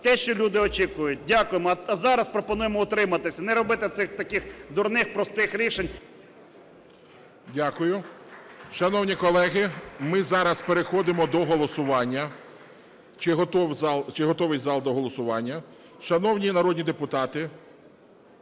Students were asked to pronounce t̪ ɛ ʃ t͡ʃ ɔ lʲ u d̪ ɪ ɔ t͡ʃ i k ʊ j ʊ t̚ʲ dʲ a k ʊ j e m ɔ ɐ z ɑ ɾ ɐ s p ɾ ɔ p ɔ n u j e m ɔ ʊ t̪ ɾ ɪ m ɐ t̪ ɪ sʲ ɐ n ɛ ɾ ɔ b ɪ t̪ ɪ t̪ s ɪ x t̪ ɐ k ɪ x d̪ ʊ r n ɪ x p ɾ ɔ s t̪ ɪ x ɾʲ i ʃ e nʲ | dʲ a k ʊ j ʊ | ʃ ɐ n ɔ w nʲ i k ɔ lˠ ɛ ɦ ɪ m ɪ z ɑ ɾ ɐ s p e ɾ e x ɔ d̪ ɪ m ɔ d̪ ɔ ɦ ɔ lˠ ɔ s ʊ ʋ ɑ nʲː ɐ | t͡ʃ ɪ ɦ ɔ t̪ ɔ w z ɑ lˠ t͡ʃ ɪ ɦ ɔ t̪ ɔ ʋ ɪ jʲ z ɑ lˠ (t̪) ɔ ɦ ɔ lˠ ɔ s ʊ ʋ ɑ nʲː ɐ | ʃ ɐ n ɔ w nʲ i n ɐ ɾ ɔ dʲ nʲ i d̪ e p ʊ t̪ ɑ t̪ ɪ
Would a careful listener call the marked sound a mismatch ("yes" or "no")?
yes